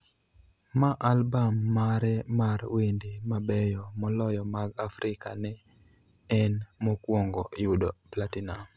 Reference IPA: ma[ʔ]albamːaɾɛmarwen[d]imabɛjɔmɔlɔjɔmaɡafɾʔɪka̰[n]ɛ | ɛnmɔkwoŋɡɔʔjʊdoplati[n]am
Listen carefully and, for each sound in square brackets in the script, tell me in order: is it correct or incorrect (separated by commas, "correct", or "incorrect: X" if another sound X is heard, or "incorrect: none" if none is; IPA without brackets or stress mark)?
correct, correct, correct, correct